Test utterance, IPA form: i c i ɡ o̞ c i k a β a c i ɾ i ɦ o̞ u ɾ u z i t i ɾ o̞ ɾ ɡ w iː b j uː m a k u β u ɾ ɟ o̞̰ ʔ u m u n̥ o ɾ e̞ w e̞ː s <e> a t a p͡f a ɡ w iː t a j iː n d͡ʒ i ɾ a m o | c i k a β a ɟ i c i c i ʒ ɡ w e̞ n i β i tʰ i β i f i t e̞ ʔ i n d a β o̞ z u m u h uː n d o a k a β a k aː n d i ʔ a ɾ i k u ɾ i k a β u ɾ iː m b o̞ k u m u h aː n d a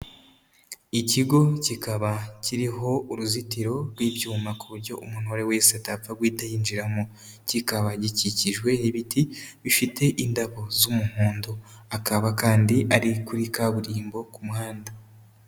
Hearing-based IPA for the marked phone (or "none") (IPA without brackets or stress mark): e